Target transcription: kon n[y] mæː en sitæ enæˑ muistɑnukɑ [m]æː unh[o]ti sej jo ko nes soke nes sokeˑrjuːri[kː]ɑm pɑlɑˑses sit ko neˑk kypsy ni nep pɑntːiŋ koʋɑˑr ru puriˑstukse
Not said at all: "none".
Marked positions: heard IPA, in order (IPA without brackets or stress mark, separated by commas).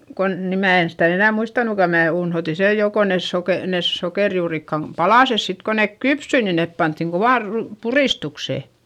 i, m, o, kː